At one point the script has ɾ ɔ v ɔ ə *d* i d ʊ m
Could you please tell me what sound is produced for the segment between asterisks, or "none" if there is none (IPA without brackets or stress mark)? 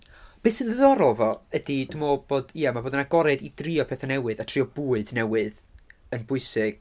d